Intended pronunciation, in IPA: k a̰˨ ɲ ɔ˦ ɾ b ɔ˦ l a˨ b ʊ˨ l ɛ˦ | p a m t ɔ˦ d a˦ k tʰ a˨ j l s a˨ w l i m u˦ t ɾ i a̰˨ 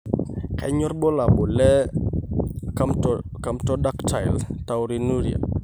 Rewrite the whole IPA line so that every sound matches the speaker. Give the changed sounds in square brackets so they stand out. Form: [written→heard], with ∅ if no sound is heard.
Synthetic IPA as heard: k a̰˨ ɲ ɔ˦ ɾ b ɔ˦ l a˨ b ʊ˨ l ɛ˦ | [p→k] a m t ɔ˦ d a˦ k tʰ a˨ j l [s→t] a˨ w [l→ɾ] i [m→n] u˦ [t→∅] ɾ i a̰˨